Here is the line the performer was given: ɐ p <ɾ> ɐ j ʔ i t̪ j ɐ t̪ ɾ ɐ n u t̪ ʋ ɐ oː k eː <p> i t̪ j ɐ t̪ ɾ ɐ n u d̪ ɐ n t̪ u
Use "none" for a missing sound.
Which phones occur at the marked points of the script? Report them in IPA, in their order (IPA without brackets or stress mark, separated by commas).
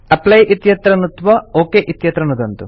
l, ʔ